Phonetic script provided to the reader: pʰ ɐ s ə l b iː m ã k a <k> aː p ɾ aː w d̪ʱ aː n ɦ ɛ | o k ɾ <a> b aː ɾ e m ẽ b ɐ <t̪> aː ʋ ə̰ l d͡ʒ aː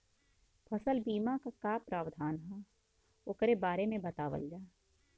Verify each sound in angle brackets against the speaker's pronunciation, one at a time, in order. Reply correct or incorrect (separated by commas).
correct, incorrect, correct